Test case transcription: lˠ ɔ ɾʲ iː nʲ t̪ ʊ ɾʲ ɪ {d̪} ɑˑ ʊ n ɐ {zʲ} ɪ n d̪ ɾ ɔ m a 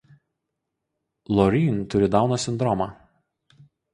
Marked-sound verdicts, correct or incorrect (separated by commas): correct, incorrect